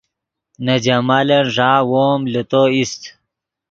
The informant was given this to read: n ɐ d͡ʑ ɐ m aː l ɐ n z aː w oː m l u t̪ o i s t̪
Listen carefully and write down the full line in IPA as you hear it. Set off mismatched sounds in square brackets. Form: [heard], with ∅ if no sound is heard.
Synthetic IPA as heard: n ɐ d͡ʑ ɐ m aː l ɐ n [ʐ] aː w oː m l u t̪ o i s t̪